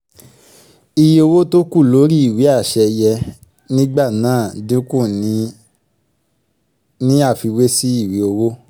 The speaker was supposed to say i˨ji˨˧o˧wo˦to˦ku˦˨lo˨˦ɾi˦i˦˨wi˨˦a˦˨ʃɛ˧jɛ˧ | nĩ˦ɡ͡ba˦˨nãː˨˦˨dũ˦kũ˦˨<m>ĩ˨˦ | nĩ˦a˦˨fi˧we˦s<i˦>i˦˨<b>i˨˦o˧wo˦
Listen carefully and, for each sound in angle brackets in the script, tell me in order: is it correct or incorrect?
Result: incorrect: n, correct, incorrect: w

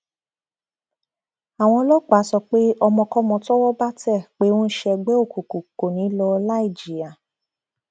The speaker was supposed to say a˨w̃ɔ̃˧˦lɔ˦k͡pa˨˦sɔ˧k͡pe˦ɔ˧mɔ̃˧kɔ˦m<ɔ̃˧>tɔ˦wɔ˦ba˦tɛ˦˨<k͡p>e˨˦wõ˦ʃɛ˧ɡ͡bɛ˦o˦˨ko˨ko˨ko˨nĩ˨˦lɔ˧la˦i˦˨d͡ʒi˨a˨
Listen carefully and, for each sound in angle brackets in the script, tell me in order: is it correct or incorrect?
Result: correct, correct

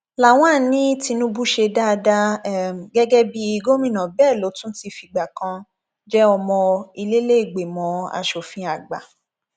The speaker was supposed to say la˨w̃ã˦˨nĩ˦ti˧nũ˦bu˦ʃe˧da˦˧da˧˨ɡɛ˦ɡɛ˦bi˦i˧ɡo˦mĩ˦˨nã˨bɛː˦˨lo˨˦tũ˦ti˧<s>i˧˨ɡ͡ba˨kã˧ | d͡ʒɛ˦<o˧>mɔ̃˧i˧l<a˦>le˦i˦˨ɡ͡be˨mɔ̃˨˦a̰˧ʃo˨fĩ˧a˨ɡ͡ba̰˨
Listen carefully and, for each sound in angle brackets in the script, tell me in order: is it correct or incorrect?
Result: incorrect: f, incorrect: ɔ˧, incorrect: e˦

